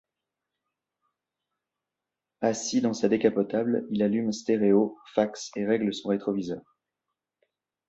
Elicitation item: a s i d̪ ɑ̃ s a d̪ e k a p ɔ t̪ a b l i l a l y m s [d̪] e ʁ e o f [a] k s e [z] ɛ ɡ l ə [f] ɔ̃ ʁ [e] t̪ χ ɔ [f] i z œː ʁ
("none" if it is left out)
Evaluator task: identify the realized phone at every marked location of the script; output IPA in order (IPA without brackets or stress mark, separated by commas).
t̪, a, ʁ, s, e, v